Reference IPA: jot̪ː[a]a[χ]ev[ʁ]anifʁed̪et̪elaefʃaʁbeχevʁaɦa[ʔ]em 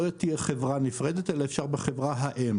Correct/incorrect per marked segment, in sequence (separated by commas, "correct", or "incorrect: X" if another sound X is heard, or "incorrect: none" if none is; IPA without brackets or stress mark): incorrect: i, correct, correct, correct